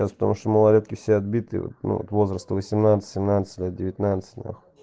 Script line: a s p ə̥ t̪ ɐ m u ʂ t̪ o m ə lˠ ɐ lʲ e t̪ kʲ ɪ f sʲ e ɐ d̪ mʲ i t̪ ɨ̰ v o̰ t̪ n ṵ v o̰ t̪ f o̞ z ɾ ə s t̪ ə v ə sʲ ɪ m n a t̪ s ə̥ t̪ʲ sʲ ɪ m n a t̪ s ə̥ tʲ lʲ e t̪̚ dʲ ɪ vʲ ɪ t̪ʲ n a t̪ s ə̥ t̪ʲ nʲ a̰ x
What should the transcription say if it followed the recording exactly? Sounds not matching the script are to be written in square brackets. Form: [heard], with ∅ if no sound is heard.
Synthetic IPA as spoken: a s p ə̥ t̪ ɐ m u ʂ t̪ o m ə lˠ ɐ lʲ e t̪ kʲ ɪ f sʲ e ɐ d̪ [bʲ] i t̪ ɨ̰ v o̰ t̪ n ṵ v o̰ t̪ [v] o̞ z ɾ ə s t̪ ə v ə sʲ ɪ m n a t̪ s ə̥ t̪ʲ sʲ ɪ m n a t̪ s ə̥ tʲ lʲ e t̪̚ dʲ ɪ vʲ ɪ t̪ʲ n a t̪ s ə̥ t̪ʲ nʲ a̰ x

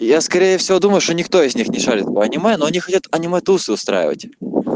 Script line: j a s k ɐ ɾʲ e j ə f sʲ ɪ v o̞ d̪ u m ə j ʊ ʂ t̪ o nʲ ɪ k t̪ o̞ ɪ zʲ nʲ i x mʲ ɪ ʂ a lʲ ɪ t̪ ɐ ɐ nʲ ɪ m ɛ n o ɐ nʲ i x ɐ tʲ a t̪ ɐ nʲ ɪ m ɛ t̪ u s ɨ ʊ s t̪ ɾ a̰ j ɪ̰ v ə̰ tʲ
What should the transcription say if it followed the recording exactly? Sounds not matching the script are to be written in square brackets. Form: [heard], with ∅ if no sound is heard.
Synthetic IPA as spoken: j a s k ɐ ɾʲ e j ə f sʲ ɪ v o̞ d̪ u m ə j ʊ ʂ t̪ o nʲ ɪ k t̪ o̞ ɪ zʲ nʲ i x [nʲ] ɪ ʂ a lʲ ɪ t̪ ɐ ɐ nʲ ɪ m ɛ n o ɐ nʲ i x ɐ tʲ a t̪ ɐ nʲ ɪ m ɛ t̪ u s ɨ ʊ s t̪ ɾ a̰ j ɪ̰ v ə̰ tʲ

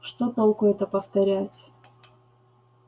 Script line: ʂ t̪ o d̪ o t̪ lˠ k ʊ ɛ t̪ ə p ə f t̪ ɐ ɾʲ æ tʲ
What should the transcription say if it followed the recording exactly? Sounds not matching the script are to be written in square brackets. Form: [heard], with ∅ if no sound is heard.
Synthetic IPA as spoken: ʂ t̪ o [t̪] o [∅] lˠ k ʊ ɛ t̪ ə p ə f t̪ ɐ ɾʲ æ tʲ

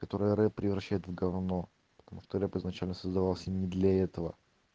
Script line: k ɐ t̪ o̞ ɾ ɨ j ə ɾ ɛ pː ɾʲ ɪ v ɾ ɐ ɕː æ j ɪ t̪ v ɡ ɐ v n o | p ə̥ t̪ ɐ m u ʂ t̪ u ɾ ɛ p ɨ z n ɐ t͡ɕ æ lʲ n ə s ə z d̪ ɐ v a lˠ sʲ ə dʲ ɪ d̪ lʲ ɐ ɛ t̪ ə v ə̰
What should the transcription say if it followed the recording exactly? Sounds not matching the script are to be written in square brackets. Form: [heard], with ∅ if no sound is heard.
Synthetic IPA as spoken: k ɐ t̪ o̞ ɾ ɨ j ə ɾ ɛ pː ɾʲ ɪ v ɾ ɐ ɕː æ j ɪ t̪ v ɡ ɐ v n o | p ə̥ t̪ ɐ m u ʂ t̪ [o] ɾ ɛ p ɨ z n ɐ t͡ɕ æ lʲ n ə s ə z d̪ ɐ v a lˠ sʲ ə [nʲ] ɪ d̪ lʲ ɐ ɛ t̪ ə v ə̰

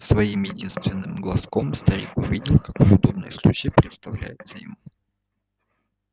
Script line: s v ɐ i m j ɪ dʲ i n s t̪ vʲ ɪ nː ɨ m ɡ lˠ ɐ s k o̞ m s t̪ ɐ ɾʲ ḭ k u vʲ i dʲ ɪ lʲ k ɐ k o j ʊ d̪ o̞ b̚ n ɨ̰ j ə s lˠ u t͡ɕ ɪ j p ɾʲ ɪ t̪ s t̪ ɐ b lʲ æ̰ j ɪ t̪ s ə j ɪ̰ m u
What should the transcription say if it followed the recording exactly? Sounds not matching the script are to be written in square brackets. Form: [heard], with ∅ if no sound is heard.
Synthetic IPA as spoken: s v ɐ i m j ɪ dʲ i n s t̪ vʲ ɪ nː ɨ m ɡ lˠ ɐ s k o̞ m s t̪ ɐ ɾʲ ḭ k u vʲ i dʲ ɪ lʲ k ɐ k o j ʊ d̪ o̞ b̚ n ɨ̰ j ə s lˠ u t͡ɕ ɪ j p ɾʲ ɪ t̪ s t̪ ɐ [v] lʲ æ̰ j ɪ t̪ s ə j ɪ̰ m u

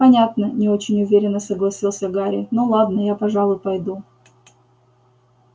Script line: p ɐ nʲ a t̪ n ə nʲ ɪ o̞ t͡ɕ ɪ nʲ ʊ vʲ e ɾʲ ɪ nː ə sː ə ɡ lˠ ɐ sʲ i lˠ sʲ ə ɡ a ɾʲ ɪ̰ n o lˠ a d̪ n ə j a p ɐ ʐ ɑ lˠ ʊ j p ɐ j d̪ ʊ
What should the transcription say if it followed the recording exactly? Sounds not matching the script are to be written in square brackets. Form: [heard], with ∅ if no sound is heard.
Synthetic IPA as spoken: p ɐ nʲ a t̪ n ə nʲ ɪ o̞ t͡ɕ ɪ nʲ ʊ vʲ e ɾʲ ɪ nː ə [s] ə ɡ lˠ ɐ sʲ i lˠ sʲ ə ɡ a ɾʲ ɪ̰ n o lˠ a d̪ n ə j a p ɐ ʐ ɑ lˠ ʊ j p ɐ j d̪ [u]

